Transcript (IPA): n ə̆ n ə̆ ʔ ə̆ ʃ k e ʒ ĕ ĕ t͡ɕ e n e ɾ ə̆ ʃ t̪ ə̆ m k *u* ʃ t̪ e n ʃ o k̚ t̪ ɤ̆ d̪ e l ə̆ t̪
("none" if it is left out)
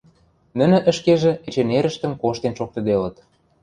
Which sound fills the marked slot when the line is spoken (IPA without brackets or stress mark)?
o